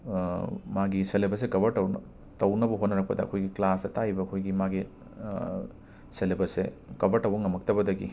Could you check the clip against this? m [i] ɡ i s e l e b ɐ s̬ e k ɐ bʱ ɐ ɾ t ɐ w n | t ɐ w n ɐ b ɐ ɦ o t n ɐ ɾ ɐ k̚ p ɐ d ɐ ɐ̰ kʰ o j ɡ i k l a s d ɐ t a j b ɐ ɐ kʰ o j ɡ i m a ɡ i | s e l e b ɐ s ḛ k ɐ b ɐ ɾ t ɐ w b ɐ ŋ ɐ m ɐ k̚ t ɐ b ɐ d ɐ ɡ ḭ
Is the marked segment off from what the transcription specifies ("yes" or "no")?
yes